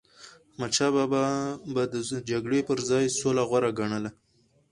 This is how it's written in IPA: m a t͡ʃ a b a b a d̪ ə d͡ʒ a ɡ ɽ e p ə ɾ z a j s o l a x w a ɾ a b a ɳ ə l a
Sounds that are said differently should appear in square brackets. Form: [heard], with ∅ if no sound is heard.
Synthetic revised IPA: m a t͡ʃ a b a b a d̪ ə d͡ʒ a ɡ ɽ e p ə ɾ z [ɑ] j s o l a [ɣ] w a ɾ a [ɡ] a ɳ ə l a